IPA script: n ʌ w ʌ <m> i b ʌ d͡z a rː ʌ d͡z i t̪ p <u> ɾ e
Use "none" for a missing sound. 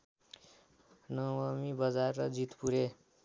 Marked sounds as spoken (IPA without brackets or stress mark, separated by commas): m, u